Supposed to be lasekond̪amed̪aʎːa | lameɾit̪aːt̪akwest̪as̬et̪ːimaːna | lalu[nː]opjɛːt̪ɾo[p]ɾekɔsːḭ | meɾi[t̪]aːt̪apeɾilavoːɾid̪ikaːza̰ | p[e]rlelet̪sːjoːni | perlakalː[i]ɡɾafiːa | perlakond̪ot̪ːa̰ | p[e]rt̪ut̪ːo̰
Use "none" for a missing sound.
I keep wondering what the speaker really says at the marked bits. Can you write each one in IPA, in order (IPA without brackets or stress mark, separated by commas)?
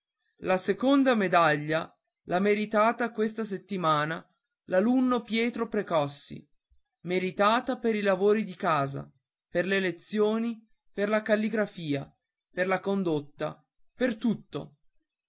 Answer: nː, p, t̪, e, i, e